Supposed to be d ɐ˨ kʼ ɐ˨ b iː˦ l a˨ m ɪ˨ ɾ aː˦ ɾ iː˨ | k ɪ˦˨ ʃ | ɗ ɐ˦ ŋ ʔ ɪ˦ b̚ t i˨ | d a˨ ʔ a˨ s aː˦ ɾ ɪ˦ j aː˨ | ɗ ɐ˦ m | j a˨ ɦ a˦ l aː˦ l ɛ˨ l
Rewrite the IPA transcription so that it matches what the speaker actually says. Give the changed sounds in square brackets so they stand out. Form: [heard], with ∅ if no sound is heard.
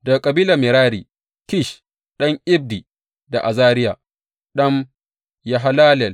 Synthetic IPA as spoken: d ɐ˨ kʼ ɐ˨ b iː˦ l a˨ m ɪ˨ ɾ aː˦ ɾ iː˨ | k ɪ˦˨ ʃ | ɗ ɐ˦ ŋ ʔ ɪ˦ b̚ [d] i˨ | d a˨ ʔ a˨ [z] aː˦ ɾ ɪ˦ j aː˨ | ɗ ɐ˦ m | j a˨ ɦ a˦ l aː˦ l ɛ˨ l